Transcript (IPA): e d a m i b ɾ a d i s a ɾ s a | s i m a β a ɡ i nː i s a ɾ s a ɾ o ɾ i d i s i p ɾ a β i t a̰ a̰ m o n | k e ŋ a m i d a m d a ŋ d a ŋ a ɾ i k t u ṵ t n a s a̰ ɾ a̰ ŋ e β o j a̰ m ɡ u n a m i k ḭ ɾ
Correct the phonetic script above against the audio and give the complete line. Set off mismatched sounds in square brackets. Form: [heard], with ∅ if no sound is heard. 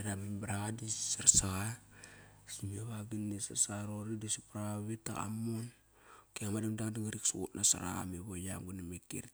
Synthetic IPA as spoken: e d a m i b ɾ a d i s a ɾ s a | s i m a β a ɡ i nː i s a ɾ s a ɾ o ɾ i d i s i p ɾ a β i t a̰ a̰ m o n | k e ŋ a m [a] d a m d a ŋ d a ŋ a ɾ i k [s] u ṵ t n a s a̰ ɾ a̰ [m] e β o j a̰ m ɡ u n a m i k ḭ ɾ